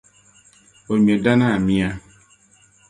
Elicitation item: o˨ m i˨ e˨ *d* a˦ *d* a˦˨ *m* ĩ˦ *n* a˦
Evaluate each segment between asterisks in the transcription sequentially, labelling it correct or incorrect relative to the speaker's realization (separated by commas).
correct, incorrect, correct, incorrect